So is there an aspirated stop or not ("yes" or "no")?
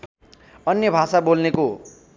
no